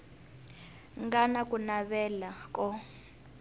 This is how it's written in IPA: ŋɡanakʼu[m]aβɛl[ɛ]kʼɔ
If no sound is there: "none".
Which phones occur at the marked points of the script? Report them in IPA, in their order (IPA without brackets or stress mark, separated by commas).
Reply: n, a